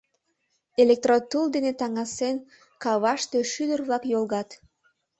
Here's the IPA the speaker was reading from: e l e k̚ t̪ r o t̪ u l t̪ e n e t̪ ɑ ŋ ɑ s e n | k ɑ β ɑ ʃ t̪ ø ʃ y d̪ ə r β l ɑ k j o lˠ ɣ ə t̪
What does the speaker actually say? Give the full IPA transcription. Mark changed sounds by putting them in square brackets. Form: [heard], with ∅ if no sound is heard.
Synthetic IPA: e l e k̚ t̪ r o t̪ u l [d̪] e n e t̪ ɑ ŋ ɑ s e n | k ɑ β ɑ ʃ t̪ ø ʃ y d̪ ə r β l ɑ k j o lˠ ɣ [ɑ] t̪